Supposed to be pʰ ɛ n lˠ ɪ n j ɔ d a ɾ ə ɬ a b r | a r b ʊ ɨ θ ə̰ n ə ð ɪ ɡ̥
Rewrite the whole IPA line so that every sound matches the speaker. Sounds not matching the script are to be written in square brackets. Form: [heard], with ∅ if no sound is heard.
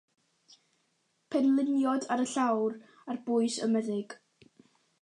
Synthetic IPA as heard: pʰ ɛ n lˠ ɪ n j ɔ d a ɾ ə ɬ a [w] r | a r b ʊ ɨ [s] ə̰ [m] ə ð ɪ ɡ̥